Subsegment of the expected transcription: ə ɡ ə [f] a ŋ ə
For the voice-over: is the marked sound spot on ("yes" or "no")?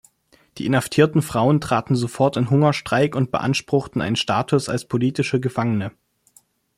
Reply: yes